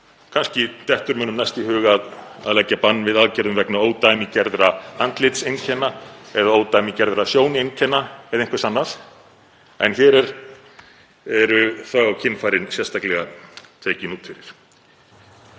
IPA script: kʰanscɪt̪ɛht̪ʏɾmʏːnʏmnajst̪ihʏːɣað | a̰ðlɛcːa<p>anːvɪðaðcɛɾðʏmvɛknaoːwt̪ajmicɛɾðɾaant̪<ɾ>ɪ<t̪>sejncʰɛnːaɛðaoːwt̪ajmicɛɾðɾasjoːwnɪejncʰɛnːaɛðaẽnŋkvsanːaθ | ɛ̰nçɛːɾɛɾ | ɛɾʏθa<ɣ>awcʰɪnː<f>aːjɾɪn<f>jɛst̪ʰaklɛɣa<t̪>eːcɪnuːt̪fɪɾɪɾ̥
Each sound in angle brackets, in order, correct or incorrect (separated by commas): correct, incorrect, correct, correct, correct, incorrect, incorrect